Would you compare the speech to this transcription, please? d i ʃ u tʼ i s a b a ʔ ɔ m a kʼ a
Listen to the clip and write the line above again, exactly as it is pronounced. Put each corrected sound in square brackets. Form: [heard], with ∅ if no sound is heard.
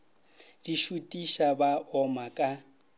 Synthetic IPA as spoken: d i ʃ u tʼ i [ʃ] a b a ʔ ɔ m a kʼ a